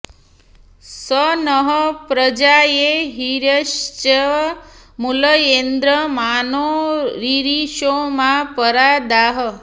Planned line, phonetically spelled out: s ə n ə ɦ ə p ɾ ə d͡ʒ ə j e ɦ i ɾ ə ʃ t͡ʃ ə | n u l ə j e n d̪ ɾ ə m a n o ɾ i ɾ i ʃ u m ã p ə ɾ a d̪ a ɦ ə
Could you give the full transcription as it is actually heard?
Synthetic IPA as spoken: s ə n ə ɦ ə p ɾ ə d͡ʒ a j e ɦ i ɾ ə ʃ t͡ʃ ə | m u l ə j e n d̪ ɾ ə m a n o ɾ i ɾ i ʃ o m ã p ə ɾ a d̪ a ɦ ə